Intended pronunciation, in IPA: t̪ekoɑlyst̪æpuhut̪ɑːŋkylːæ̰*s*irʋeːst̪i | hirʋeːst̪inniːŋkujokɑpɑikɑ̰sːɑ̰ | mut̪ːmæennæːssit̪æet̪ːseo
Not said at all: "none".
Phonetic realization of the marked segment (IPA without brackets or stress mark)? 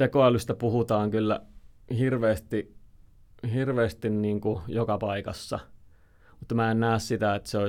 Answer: h